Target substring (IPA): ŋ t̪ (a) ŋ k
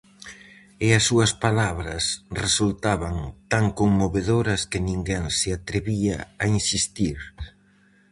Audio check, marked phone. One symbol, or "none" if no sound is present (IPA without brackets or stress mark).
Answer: a